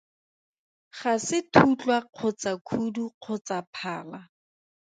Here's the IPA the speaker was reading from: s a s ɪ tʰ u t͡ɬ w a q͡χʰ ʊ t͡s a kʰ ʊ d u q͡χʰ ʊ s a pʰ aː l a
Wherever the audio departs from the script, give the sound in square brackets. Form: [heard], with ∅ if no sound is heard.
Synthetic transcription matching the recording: [χ] a s ɪ tʰ u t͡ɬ w a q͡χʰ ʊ t͡s a kʰ [u] d u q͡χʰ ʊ [t͡s] a pʰ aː l a